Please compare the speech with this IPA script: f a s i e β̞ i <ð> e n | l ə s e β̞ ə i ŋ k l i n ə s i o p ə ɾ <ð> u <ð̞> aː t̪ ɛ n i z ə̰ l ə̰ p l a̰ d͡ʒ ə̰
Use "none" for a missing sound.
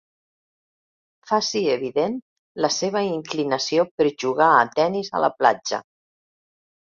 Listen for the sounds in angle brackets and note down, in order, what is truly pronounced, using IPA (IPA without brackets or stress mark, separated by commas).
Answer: ð, ʒ, ɣ̞